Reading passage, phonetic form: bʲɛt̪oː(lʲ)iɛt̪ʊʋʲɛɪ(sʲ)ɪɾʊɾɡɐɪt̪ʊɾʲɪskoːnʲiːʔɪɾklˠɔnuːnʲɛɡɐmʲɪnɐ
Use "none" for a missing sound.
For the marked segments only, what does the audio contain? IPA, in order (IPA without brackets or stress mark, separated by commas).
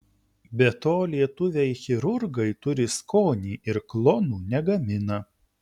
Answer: lʲ, xʲ